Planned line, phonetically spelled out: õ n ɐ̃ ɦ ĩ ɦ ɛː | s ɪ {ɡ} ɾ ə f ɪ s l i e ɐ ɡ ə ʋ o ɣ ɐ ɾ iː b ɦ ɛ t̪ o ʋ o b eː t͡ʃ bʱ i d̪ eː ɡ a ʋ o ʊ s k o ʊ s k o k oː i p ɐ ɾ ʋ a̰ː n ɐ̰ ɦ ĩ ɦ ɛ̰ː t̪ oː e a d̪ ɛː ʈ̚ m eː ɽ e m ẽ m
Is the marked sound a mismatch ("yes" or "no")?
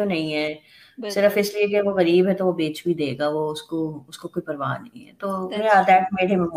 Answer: yes